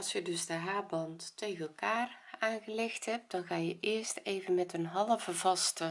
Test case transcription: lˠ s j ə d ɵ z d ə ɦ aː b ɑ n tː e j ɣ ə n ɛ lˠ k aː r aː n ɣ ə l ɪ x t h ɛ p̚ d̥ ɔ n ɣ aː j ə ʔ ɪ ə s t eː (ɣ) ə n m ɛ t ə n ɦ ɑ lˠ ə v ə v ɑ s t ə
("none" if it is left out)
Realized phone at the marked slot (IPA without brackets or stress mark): v